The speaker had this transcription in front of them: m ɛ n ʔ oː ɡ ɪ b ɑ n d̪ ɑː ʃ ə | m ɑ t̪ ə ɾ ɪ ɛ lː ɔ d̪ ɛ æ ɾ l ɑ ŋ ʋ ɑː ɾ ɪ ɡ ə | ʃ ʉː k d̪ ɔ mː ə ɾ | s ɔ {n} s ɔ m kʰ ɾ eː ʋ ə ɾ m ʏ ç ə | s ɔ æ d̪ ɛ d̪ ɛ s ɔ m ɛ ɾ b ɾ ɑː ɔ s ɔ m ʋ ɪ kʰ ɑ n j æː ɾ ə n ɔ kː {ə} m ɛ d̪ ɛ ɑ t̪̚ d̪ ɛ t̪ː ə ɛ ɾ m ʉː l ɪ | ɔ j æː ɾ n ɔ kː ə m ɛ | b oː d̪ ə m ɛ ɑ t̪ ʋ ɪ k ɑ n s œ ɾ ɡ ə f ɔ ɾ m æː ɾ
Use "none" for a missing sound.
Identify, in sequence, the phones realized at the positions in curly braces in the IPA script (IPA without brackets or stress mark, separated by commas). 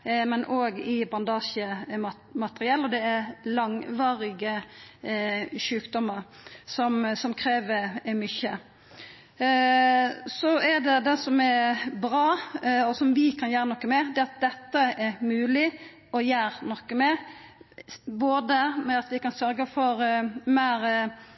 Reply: m, ə